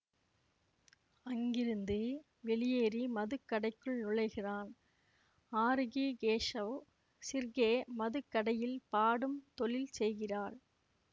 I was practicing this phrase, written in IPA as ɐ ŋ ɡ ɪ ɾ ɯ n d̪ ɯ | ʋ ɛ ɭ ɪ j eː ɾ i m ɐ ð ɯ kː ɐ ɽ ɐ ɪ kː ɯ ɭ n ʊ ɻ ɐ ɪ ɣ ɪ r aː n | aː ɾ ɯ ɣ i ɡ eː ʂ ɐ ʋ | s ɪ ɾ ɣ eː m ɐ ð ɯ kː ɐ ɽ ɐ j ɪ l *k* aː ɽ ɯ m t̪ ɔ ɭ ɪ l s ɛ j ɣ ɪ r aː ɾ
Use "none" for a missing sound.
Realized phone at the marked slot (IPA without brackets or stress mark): p